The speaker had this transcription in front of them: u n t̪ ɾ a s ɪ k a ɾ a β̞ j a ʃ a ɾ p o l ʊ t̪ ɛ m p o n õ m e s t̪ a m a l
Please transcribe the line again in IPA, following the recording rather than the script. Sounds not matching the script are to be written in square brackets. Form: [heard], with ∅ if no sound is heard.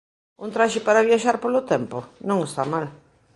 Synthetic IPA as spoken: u n t̪ ɾ a [ʃ] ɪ [p] a ɾ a β̞ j a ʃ a ɾ p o l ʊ t̪ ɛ m p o n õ [ŋ] e s t̪ a m a l